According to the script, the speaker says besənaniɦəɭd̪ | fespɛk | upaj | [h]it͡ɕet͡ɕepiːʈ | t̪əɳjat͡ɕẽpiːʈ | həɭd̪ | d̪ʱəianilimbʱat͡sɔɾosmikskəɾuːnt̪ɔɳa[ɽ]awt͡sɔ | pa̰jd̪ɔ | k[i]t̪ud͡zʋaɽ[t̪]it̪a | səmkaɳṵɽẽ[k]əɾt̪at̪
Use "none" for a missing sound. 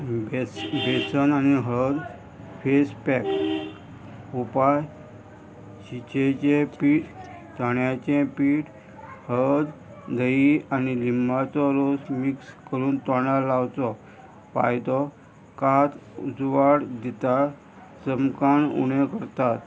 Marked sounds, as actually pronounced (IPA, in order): ɕ, l, a, d̪, k

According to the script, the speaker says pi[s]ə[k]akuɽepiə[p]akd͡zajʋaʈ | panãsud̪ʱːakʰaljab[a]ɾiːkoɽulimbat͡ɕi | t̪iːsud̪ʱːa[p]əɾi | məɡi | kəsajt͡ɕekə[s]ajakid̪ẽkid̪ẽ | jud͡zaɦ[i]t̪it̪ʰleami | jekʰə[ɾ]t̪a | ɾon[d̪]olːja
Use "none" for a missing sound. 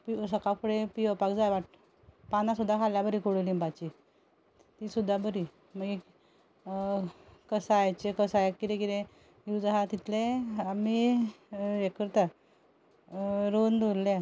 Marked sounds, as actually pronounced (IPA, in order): s, k, p, ə, b, s, a, ɾ, d̪

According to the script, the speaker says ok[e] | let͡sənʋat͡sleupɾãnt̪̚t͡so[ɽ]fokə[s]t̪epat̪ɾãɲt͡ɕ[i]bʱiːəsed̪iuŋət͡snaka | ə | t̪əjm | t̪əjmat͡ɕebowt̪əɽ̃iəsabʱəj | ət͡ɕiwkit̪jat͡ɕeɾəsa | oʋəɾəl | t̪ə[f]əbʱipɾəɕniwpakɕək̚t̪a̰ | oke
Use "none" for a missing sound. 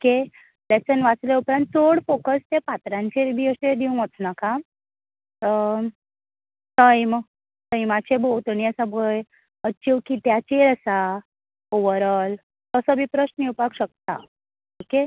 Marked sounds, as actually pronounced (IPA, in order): e, ɽ, s, e, s

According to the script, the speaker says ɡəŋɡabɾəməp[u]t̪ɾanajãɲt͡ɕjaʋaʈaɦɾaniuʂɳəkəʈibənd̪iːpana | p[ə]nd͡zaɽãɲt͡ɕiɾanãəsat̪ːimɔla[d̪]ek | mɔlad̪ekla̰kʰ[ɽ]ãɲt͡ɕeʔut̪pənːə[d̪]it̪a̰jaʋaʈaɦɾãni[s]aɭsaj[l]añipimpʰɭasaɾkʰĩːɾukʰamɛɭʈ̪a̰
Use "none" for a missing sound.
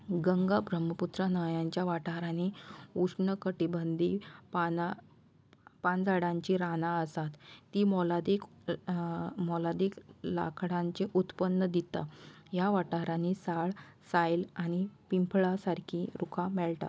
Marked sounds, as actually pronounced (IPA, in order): u, a, d̪, ɽ, d̪, s, l

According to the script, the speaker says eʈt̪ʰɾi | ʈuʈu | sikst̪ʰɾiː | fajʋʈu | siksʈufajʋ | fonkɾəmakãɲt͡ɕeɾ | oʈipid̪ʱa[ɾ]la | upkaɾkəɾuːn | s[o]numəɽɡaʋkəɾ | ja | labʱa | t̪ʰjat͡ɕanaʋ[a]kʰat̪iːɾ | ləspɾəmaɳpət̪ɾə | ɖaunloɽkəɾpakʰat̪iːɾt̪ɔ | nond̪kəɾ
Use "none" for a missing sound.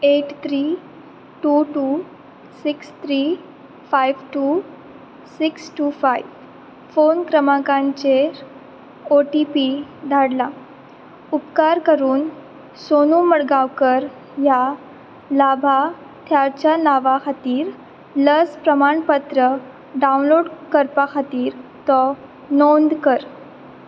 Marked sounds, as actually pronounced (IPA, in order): ɽ, o, a

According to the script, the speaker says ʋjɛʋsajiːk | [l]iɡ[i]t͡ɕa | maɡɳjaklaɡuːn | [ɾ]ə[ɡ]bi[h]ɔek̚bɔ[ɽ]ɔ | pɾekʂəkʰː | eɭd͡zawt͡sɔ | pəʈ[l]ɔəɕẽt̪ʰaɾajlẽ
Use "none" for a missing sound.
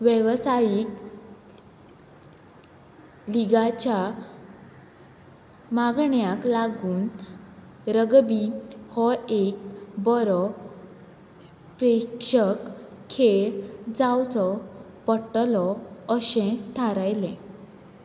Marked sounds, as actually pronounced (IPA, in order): l, a, ɾ, ɡ, h, ɾ, l

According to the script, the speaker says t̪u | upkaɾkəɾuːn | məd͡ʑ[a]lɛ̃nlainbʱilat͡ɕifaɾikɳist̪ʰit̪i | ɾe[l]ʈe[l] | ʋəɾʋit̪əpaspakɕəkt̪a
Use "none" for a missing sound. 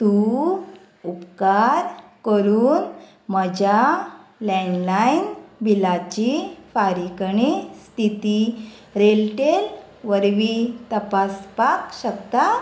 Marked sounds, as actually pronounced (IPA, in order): a, l, l

